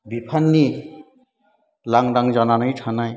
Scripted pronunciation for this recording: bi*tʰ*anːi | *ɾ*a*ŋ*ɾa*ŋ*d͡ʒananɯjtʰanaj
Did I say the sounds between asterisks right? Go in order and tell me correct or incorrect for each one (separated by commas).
incorrect, incorrect, correct, correct